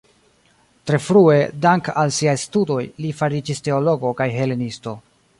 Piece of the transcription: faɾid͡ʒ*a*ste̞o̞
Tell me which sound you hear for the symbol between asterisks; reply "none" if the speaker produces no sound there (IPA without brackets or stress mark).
i